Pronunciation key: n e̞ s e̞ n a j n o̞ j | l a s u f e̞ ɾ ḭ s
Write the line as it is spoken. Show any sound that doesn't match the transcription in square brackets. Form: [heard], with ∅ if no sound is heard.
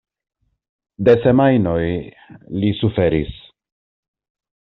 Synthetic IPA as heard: [d] e̞ s e̞ [m] a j n o̞ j | l [i] s u f e̞ ɾ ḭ s